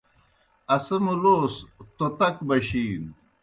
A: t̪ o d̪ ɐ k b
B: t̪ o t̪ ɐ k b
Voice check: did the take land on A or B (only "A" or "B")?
B